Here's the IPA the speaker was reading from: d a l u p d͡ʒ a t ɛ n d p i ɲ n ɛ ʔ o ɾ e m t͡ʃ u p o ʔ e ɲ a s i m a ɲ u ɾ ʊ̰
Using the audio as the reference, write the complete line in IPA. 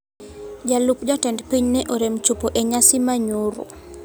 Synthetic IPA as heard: d͡ʒ a l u p d͡ʒ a t ɛ n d p i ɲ n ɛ ʔ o ɾ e m t͡ʃ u p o ʔ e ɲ a s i m a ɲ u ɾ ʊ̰